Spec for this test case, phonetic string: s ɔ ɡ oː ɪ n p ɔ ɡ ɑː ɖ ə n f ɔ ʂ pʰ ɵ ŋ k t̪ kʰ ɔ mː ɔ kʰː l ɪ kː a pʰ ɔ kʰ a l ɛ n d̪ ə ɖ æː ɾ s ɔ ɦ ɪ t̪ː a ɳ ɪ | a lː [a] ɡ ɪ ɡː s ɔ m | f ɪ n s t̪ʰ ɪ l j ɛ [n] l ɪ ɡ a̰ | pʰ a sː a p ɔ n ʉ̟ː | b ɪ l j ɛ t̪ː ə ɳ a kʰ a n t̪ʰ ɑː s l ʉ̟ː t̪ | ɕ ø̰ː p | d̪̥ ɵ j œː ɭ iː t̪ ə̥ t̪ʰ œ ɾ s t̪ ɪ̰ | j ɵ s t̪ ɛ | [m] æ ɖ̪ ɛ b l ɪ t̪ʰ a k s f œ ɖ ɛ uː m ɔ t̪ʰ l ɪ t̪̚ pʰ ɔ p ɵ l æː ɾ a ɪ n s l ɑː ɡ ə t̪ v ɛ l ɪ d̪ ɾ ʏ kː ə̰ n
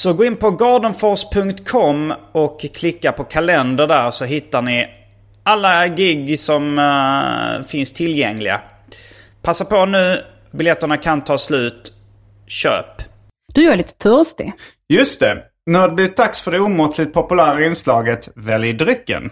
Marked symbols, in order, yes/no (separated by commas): yes, no, no